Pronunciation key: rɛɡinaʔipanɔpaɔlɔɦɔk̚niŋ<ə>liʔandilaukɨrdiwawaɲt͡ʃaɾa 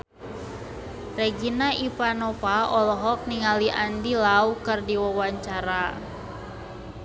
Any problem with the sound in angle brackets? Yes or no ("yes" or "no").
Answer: yes